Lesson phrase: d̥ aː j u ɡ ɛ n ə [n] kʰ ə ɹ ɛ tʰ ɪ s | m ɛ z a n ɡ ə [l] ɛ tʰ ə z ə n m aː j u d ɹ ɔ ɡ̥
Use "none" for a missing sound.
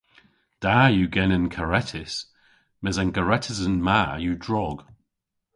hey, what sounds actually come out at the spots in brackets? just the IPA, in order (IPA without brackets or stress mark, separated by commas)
n, ɹ